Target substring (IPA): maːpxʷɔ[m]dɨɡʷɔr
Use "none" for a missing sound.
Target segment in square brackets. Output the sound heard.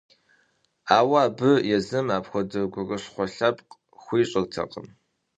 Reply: none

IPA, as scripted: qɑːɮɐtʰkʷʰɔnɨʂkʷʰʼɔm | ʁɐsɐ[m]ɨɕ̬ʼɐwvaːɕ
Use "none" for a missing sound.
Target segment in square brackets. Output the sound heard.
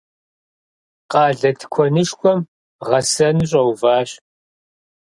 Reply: n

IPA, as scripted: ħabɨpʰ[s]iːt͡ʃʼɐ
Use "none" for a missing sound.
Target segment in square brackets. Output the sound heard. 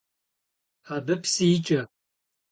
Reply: s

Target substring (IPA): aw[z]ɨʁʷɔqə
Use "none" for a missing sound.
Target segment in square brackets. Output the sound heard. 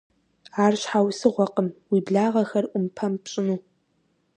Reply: s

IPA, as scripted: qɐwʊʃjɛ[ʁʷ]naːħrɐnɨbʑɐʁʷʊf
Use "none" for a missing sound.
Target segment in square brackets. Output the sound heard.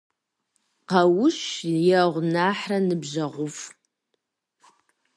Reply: ʁʷ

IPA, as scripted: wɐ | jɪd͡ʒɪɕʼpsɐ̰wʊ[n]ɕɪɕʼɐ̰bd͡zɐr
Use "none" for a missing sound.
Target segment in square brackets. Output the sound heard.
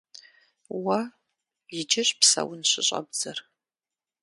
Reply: n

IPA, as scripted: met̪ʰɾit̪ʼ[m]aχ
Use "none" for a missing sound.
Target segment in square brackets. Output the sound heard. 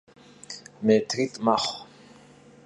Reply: m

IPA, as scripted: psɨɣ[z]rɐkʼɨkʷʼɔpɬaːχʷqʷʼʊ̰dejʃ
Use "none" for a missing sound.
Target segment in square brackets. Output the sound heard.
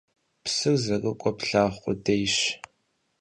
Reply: z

